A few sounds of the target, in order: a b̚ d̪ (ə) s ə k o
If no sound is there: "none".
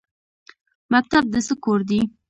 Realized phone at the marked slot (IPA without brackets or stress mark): ə